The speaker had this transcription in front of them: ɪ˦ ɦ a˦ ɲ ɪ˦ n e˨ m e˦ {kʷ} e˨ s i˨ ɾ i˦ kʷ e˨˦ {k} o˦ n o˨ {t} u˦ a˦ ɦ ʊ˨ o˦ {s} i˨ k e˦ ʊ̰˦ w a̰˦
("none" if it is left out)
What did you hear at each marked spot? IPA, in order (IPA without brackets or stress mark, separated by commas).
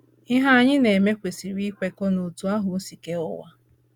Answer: kʷ, k, t, s